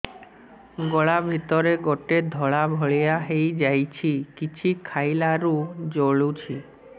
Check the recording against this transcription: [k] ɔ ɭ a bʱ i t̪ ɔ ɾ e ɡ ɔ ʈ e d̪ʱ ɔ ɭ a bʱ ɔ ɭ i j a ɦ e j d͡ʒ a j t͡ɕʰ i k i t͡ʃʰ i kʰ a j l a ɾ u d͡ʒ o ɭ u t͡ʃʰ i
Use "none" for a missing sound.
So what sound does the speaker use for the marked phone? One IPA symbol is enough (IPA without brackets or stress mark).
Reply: ɡ